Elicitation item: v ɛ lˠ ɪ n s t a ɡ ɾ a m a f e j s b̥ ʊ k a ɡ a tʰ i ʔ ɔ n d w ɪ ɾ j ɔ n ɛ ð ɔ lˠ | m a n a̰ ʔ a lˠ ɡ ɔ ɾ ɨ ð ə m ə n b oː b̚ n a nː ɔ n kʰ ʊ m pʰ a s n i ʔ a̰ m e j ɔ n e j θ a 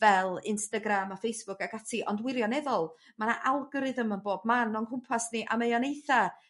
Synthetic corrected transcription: v ɛ lˠ ɪ n s t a ɡ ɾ a m a f e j s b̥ ʊ k a ɡ a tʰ i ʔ ɔ n d w ɪ ɾ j ɔ n ɛ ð ɔ lˠ | m a n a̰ ʔ a lˠ ɡ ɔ ɾ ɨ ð ə m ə n b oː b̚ m a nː ɔ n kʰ ʊ m pʰ a s n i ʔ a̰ m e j ɔ n e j θ a